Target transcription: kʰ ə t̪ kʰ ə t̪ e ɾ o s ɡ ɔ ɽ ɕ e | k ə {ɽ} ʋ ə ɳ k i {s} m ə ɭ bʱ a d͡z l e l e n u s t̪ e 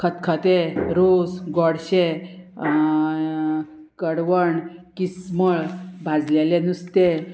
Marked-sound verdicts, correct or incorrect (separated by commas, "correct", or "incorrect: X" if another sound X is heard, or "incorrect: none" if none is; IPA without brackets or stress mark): correct, correct